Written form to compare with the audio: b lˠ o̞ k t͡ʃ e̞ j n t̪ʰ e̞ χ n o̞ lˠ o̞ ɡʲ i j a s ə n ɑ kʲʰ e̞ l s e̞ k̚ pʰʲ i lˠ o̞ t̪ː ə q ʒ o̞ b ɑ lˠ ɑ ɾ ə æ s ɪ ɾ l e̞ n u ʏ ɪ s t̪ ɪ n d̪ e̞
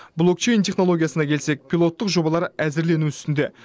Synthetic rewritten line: b lˠ o̞ k t͡ʃ e̞ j n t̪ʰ e̞ χ n o̞ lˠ o̞ ɡʲ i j a s ə n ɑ kʲʰ e̞ l s e̞ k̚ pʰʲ i lˠ o̞ t̪ː ə q ʒ o̞ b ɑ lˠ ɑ ɾ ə æ z ɪ ɾ l e̞ n u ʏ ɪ s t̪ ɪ n d̪ e̞